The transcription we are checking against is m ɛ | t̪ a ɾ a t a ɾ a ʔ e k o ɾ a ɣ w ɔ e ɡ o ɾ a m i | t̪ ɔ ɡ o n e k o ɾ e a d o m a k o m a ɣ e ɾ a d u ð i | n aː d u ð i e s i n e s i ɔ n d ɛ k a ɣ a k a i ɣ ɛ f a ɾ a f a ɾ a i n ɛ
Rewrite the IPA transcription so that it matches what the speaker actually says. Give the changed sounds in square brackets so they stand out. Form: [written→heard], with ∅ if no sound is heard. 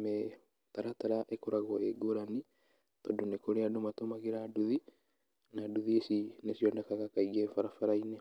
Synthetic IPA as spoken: m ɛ | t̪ a ɾ a t a ɾ a ʔ e k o ɾ a ɣ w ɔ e ɡ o ɾ a [m→n] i | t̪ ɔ [ɡ→d] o n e k o ɾ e a d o m a [k→t] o m a ɣ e ɾ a d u ð i | n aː d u ð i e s i n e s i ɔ n d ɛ k a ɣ a k a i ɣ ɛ f a ɾ a f a ɾ a i n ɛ

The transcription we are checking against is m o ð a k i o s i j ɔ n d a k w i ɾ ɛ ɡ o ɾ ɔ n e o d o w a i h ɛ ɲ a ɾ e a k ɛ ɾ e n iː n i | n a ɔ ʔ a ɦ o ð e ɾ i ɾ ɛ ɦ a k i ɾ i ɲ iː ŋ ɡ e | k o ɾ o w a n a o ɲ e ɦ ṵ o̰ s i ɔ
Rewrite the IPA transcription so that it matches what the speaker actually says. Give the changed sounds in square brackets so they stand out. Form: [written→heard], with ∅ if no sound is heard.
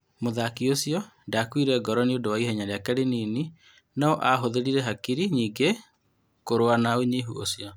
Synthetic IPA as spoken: m o ð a k i o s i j ɔ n d a k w i ɾ ɛ ɡ [o→ɔ] ɾ ɔ n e o d o w a i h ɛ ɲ a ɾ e a k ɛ ɾ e n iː n i | n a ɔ ʔ a ɦ o ð e ɾ i ɾ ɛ ɦ a k i ɾ i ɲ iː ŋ ɡ e | k o ɾ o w a n a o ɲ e ɦ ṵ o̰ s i ɔ

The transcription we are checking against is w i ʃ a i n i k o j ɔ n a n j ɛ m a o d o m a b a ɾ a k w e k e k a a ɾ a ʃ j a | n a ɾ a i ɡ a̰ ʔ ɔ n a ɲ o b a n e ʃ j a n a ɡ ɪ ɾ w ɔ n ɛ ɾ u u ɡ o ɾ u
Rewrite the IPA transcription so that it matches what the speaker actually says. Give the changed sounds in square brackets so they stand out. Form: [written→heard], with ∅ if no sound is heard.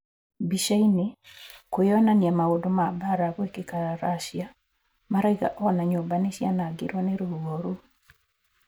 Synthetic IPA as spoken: [w→b] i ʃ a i n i k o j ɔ n a n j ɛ m a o d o m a b a ɾ a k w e k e k a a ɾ a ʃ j a | [n→m] a ɾ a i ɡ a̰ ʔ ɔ n a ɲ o b a n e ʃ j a n a ɡ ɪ ɾ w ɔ n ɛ ɾ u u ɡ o ɾ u

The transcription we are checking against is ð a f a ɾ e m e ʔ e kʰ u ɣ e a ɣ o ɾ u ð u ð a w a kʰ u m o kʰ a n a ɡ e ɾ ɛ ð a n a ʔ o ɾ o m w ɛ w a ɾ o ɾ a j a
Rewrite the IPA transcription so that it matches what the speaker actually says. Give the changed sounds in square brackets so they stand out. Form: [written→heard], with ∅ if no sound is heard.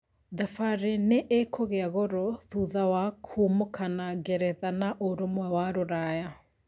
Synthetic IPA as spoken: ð a f a ɾ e [m→n] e ʔ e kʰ [u→o] ɣ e a ɣ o ɾ [u→ɔ] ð u ð a w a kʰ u m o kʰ a n a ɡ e ɾ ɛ ð a n a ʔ o ɾ o m w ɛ w a ɾ o ɾ a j a

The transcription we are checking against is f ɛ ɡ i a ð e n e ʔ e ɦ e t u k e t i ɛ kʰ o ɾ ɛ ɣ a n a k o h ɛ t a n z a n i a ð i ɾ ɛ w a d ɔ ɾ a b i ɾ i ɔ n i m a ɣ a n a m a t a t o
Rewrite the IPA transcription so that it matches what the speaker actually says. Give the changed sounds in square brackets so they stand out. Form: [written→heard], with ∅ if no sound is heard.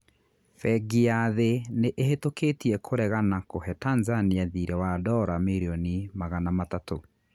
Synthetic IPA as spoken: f ɛ ɡ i a ð e n e ʔ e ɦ e t [u→o] k e t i ɛ kʰ o ɾ ɛ ɣ a n a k o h ɛ t a n z a n i a ð i ɾ ɛ w a d ɔ ɾ a [b→m] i ɾ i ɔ n i m a ɣ a n a m a t a t o

